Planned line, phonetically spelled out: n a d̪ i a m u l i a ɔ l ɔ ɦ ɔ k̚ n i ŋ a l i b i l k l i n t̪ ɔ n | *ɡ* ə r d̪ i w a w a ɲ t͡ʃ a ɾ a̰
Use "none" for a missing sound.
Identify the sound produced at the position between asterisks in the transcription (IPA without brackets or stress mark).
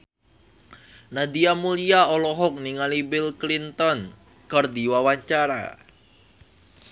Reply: k